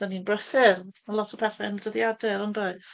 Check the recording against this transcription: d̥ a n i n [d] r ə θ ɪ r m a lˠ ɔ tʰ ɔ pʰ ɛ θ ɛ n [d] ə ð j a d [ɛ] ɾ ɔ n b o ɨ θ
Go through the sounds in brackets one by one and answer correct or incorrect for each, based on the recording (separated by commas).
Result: incorrect, correct, correct